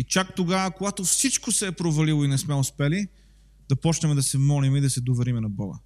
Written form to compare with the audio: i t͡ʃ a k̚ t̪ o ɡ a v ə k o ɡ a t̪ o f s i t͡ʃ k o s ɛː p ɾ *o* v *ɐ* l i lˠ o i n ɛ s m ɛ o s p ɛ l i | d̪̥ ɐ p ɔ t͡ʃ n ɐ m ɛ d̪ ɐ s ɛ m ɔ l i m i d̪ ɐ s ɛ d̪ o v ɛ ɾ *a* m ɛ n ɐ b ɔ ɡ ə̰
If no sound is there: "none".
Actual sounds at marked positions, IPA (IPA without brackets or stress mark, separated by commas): o, ɐ, i